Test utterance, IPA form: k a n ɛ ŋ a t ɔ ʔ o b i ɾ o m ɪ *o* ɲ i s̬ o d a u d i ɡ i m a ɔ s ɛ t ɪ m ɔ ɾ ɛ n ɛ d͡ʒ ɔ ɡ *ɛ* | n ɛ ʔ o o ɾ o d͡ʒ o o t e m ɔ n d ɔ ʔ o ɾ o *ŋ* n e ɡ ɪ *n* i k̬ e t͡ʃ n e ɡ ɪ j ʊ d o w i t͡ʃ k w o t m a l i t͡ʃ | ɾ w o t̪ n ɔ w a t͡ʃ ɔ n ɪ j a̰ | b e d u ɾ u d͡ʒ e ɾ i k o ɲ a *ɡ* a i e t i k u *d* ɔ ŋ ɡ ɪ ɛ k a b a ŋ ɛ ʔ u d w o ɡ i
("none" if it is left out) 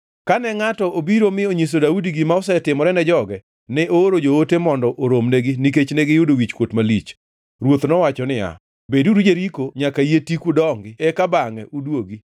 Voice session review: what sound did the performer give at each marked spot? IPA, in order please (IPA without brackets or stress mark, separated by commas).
o, ɛ, m, n, k, d